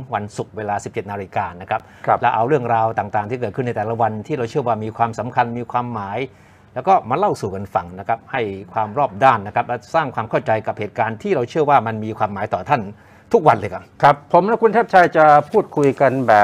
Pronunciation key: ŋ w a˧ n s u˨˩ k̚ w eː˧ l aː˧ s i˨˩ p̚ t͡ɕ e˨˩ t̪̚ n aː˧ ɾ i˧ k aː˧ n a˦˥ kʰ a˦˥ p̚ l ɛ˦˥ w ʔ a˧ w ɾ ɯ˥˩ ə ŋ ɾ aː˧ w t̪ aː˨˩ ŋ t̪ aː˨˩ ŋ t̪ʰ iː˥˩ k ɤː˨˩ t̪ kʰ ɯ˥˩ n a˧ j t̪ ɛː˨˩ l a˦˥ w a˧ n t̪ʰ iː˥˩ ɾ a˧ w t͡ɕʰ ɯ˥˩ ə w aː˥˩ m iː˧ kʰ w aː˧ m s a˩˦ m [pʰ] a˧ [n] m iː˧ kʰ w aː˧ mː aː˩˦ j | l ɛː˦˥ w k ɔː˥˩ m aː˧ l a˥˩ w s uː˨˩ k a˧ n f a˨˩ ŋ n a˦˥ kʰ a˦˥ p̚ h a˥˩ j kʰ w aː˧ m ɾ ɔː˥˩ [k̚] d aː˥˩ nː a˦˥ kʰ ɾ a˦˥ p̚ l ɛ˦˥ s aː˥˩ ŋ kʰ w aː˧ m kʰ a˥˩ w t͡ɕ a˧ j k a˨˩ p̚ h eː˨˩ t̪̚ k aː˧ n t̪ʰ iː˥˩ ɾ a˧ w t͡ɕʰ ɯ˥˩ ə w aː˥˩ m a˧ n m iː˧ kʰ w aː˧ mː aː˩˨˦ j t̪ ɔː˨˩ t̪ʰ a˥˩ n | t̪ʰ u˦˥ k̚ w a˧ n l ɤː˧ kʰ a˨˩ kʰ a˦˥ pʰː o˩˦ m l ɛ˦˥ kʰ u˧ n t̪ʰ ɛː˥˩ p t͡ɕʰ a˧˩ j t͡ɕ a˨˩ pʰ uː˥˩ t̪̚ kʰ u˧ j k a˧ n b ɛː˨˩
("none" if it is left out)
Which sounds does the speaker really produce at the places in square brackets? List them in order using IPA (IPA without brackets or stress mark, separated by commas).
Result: kʰ, n, p̚